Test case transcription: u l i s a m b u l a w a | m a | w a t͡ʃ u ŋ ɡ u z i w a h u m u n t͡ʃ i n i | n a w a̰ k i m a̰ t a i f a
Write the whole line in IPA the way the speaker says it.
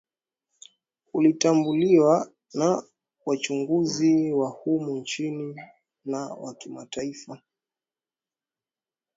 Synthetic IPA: u l i t a m b u l i w a | n a | w a t͡ʃ u ŋ ɡ u z i w a h u m u n t͡ʃ i n i | n a w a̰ k i m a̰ t a i f a